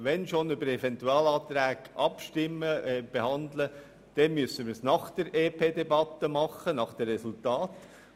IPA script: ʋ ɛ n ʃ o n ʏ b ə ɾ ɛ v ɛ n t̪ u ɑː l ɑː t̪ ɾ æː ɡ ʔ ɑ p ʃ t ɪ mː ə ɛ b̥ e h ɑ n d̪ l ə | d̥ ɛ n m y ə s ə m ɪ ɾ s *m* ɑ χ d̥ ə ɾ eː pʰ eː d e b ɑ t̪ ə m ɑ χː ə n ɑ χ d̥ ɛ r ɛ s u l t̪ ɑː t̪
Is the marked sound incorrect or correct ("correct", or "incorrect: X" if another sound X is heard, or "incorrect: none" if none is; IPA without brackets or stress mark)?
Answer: incorrect: n